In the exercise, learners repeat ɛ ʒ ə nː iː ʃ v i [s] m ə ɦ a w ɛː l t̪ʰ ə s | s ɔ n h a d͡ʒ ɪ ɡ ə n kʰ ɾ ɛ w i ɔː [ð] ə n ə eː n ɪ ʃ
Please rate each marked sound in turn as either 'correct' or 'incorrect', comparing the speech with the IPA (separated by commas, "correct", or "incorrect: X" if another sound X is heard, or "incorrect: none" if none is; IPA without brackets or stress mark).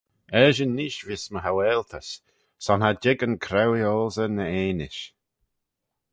correct, incorrect: z